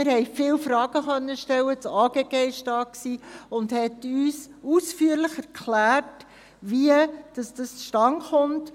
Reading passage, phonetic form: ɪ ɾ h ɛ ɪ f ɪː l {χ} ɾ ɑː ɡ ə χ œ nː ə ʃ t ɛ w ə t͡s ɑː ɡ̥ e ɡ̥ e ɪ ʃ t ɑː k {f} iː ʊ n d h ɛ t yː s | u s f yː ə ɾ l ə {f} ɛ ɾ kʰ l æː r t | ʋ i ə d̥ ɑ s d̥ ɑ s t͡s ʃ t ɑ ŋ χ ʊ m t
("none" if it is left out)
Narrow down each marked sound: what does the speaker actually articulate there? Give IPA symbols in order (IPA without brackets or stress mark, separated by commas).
f, s, χ